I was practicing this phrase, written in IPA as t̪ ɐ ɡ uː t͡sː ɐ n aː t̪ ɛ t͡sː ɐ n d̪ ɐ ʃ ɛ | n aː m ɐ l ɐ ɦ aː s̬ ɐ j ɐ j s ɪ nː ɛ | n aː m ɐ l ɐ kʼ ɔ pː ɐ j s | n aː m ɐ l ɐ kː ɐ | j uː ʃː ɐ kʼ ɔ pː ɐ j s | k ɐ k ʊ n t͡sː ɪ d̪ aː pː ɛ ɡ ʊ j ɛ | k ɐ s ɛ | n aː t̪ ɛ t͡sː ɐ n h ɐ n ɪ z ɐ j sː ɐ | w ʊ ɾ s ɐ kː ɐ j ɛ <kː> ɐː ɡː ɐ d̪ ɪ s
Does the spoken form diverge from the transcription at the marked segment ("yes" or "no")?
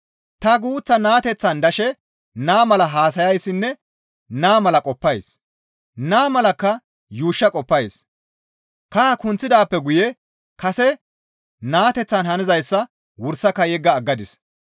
yes